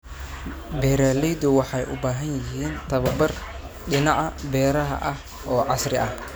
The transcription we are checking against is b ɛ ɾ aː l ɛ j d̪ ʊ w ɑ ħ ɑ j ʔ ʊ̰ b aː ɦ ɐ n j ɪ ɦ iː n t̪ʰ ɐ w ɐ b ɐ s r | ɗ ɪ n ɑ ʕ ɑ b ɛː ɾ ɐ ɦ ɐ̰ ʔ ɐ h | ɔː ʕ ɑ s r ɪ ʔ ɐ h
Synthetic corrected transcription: b ɛ ɾ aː l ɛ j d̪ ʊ w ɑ ħ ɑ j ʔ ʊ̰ b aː ɦ ɐ n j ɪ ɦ iː n t̪ʰ ɐ β ɐ b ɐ r | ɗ ɪ n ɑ ʕ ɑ b ɛː ɾ ɐ ɦ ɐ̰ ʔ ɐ h | ɔː ʕ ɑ s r ɪ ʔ ɐ h